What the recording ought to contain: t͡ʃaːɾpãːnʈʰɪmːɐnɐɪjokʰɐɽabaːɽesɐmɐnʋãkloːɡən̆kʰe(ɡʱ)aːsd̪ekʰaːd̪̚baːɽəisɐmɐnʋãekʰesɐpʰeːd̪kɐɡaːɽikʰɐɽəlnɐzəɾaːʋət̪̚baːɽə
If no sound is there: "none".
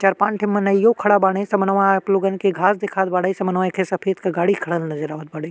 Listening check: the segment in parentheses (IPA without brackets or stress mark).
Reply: ɡʱ